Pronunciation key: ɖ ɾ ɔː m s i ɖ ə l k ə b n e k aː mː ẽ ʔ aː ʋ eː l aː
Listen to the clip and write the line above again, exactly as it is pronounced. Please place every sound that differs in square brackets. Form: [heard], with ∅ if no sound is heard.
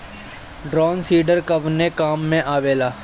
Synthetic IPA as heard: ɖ ɾ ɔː [n] s [iː] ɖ ə [ɾ] k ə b n e k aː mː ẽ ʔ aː ʋ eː l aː